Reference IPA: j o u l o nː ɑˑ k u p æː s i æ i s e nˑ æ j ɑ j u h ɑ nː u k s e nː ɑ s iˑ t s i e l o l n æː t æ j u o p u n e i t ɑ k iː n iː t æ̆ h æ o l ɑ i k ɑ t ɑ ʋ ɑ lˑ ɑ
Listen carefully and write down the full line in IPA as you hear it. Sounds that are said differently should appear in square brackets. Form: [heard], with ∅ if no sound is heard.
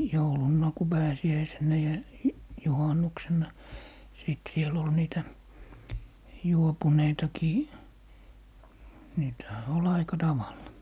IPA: j o u l [u] nː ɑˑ k u p æː s i æ i s e nˑ æ j ɑ j u h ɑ nː u k s e nː ɑ s iˑ t s i e l o l n [iː] t æ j u o p u n e i t ɑ k iː n iː t æ̆ h æ o l ɑ i k ɑ t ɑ ʋ ɑ lˑ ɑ